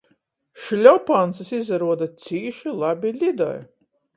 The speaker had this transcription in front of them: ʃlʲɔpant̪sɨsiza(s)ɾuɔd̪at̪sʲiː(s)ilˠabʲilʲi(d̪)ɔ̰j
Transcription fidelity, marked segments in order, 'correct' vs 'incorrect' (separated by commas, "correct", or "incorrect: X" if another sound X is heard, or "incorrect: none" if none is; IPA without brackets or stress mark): incorrect: none, incorrect: ʃ, correct